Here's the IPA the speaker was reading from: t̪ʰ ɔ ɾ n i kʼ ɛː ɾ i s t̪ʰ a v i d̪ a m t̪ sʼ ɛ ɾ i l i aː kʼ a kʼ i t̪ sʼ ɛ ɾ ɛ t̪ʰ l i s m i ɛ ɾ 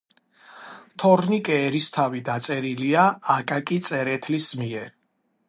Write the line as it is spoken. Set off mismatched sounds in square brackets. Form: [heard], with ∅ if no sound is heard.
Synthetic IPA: t̪ʰ ɔ ɾ n i kʼ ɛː ɾ i s t̪ʰ a v i d̪ a [∅] t̪ sʼ ɛ ɾ i l i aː kʼ a kʼ i t̪ sʼ ɛ ɾ ɛ t̪ʰ l i s m i ɛ ɾ